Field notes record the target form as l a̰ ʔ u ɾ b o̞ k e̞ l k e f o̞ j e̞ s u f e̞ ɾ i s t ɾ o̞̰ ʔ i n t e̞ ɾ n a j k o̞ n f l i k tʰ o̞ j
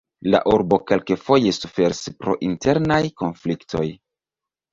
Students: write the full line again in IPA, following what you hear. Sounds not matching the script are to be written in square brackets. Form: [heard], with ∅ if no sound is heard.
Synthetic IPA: l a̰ ʔ u ɾ b o̞ k e̞ l k e f o̞ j e̞ s u f e̞ ɾ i s [p] ɾ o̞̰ ʔ i n t e̞ ɾ n a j k o̞ n f l i k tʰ o̞ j